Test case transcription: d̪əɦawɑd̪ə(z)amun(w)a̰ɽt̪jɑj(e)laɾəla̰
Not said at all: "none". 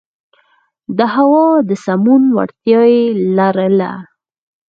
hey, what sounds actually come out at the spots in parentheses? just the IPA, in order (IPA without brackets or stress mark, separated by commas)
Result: s, w, e